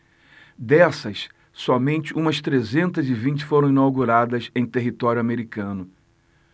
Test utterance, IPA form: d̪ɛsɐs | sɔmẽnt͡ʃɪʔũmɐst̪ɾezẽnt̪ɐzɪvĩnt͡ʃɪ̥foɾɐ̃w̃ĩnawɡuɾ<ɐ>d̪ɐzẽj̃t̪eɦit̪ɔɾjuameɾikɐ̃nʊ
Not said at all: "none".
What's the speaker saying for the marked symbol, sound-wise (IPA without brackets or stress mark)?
a